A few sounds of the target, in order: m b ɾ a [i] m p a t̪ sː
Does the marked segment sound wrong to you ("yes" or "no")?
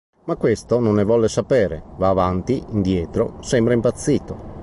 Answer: no